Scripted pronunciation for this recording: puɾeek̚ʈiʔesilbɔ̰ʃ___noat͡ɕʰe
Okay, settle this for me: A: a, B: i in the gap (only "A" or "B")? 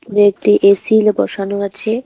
A